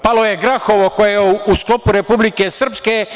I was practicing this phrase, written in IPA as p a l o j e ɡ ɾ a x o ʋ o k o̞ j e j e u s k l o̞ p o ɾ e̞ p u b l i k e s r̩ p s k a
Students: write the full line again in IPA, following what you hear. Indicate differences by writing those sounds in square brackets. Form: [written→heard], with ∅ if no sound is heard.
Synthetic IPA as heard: p a l o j e ɡ ɾ a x o ʋ o k o̞ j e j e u s k l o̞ p [o→u] ɾ e̞ p u b l i k e s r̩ p s k [a→e]